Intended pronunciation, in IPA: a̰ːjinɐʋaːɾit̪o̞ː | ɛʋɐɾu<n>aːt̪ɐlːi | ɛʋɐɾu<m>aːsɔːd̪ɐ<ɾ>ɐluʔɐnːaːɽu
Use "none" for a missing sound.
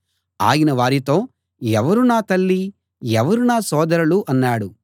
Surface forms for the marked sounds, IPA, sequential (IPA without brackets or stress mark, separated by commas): n, n, ɾ